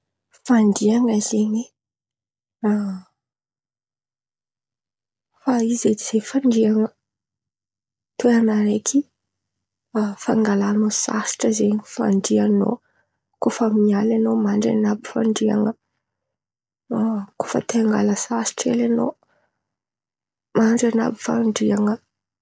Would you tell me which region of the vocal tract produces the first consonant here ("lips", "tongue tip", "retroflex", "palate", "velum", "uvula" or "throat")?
lips